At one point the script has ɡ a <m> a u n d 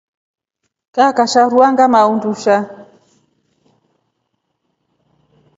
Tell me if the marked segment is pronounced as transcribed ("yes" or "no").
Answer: yes